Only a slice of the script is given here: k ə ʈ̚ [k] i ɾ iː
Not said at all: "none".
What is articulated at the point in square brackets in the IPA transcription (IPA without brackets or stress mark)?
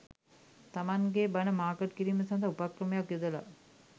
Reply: k